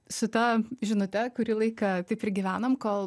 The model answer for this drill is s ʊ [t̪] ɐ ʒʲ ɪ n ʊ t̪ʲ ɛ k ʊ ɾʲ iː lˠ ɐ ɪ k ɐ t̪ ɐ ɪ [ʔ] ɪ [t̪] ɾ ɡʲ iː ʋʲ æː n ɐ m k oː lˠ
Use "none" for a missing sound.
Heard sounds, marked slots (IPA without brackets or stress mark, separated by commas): t̪, p, none